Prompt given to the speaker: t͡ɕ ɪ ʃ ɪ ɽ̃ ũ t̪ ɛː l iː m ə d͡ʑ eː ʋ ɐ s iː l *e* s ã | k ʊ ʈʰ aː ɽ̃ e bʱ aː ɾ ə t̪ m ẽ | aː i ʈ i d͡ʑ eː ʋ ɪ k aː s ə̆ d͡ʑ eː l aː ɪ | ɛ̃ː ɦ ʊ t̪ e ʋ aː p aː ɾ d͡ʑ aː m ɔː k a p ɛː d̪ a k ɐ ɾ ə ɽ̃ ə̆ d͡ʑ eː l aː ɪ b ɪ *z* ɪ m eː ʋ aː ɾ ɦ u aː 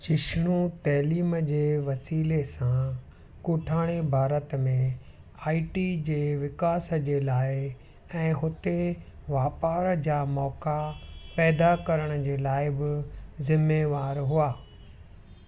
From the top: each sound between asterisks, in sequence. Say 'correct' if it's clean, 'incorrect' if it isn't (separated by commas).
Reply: correct, correct